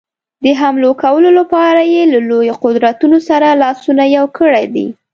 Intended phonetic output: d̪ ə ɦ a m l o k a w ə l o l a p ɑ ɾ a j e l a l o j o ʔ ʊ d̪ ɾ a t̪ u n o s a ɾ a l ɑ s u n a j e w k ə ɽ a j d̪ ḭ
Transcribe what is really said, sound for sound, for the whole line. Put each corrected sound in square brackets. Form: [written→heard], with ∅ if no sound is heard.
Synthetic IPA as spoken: d̪ ə ɦ a m l o k a w ə l o l a p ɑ ɾ a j e l a l o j o [ʔ→q] ʊ d̪ ɾ a t̪ u n o s a ɾ a l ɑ s u n a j [e→a] w k ə ɽ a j d̪ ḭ